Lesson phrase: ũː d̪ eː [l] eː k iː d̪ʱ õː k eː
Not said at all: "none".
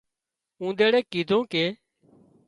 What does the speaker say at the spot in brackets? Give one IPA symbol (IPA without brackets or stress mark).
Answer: ɽ